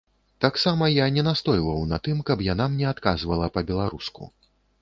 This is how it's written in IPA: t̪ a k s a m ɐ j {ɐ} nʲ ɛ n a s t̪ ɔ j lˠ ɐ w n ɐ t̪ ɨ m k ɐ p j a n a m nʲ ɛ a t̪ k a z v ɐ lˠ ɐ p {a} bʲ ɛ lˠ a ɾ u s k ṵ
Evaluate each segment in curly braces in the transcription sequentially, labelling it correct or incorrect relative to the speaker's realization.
incorrect, incorrect

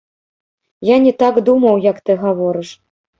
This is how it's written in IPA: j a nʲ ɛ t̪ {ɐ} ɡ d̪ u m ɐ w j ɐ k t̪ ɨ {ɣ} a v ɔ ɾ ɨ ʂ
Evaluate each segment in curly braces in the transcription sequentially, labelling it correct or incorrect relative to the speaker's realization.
incorrect, correct

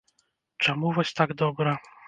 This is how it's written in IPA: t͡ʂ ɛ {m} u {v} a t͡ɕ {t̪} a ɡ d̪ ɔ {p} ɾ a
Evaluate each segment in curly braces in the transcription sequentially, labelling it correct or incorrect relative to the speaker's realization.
correct, correct, correct, incorrect

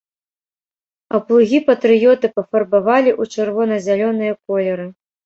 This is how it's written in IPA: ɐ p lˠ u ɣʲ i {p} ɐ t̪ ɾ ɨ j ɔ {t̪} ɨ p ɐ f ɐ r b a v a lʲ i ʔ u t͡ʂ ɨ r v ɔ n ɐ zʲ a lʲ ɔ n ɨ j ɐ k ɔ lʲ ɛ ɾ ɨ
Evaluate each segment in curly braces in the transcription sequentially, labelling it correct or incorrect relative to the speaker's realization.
correct, correct

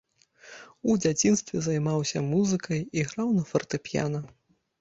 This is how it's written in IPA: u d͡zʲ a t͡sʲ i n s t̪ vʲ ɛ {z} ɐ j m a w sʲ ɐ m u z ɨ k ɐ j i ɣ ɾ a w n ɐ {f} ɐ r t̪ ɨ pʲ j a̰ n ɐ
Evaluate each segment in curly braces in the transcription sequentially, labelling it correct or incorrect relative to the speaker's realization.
correct, correct

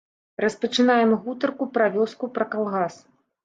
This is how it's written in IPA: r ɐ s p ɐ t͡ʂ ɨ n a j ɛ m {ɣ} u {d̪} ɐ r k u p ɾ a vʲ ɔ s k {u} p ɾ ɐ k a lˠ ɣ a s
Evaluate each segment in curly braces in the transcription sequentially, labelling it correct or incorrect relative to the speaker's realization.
correct, incorrect, correct

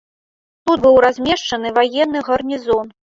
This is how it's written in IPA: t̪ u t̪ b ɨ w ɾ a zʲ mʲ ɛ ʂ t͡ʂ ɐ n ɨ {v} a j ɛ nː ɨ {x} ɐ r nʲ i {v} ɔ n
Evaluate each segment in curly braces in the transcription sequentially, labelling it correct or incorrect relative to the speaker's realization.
correct, incorrect, incorrect

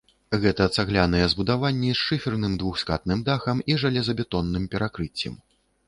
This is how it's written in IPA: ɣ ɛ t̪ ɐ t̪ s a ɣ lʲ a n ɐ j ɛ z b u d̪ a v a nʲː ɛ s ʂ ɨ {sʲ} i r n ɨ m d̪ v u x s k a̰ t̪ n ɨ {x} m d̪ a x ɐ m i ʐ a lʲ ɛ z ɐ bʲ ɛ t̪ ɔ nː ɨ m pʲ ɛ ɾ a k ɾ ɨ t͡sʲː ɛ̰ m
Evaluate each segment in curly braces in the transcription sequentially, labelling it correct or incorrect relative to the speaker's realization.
incorrect, incorrect

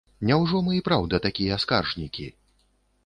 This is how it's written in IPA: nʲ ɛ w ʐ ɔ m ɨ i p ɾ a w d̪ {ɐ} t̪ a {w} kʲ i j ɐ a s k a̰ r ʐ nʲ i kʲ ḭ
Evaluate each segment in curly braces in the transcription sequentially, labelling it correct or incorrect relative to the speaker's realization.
correct, incorrect

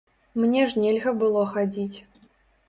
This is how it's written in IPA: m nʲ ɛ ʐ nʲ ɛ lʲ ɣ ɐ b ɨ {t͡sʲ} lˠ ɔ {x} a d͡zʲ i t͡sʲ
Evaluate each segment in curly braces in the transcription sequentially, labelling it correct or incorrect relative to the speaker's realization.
incorrect, correct

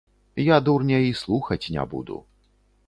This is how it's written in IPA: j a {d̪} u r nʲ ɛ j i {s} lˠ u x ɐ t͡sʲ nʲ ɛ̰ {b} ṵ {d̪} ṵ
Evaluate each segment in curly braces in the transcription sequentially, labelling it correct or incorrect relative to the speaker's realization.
correct, correct, correct, correct

